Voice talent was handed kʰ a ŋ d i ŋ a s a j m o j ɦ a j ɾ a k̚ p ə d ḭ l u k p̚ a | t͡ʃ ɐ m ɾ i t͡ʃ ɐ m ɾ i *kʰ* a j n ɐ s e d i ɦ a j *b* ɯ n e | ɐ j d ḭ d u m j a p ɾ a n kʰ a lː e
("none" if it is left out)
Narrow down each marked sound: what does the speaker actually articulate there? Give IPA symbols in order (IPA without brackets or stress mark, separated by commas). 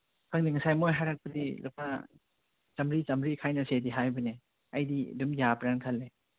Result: kʰ, b